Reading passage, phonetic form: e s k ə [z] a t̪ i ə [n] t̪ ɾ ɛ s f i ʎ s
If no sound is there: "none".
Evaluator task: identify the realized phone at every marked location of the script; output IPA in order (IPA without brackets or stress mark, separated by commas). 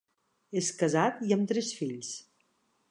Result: z, m